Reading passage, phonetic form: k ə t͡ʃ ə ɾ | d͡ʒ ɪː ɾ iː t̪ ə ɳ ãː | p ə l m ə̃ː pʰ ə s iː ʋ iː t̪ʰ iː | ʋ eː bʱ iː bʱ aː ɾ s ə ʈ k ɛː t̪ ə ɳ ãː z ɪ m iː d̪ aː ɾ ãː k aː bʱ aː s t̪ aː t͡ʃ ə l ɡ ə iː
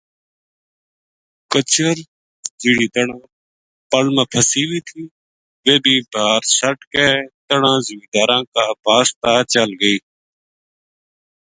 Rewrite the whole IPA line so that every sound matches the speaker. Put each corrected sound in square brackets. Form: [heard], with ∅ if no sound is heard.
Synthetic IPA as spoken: k ə t͡ʃ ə ɾ | d͡ʒ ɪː [ɽ] iː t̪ ə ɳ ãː | p ə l m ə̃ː pʰ ə s iː ʋ iː t̪ʰ iː | ʋ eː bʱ iː bʱ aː ɾ s ə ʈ k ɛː t̪ ə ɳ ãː z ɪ m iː d̪ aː ɾ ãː k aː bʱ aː s t̪ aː t͡ʃ ə l ɡ ə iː